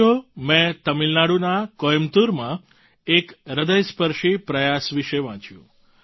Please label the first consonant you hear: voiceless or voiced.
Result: voiced